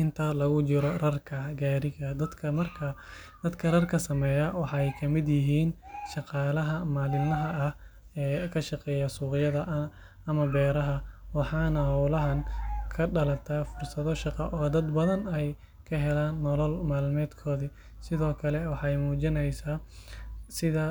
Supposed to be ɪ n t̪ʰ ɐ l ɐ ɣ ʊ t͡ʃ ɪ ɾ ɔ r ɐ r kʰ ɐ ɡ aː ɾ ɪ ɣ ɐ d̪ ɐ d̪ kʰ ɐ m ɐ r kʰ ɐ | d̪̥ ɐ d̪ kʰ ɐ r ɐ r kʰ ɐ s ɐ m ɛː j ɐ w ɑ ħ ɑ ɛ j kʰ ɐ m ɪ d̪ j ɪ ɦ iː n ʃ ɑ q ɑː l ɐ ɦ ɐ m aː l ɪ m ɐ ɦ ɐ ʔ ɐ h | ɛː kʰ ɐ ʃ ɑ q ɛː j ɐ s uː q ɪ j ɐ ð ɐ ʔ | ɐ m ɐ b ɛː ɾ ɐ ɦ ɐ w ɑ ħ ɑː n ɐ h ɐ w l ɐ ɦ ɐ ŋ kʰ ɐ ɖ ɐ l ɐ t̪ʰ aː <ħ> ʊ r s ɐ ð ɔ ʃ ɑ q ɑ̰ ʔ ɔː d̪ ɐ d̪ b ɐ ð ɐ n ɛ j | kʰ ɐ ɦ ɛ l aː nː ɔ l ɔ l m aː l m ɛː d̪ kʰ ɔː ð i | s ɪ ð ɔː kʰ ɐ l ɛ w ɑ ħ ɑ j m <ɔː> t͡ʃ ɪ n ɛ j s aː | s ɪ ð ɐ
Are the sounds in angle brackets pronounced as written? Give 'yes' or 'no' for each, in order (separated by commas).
no, no